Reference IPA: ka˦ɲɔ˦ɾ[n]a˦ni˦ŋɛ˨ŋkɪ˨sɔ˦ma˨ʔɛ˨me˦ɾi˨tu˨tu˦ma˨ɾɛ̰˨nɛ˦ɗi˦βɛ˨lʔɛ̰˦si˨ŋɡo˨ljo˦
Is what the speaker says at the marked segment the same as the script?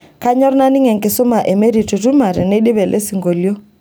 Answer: yes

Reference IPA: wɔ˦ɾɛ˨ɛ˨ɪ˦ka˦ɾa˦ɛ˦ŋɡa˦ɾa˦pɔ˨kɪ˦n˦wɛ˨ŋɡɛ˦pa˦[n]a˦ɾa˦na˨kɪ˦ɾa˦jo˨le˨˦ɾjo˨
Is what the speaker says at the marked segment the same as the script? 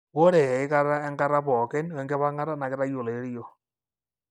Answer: no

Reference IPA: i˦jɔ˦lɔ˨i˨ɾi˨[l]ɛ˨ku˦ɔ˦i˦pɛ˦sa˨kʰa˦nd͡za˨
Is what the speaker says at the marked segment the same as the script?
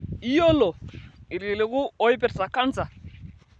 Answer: yes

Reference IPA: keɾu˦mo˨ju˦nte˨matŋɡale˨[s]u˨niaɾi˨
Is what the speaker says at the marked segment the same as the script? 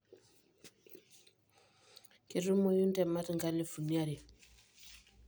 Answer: no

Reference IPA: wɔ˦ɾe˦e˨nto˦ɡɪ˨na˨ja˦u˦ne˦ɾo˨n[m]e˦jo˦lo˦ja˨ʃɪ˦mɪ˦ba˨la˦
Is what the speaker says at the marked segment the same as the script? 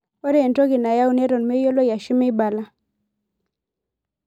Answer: yes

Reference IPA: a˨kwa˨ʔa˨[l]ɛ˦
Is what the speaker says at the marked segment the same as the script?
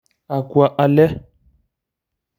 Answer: yes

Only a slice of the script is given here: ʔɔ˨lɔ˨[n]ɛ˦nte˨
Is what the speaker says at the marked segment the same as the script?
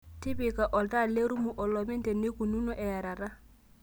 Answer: no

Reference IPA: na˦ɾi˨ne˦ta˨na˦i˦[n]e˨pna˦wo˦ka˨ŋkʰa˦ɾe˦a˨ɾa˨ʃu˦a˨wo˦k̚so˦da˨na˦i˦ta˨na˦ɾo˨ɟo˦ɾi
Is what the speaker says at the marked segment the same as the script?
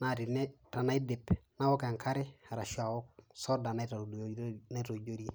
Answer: no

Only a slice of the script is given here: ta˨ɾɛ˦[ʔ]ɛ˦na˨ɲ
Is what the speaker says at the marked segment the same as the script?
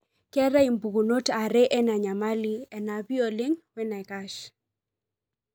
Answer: yes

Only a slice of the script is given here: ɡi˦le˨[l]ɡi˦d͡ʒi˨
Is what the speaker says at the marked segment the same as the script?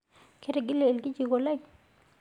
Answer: yes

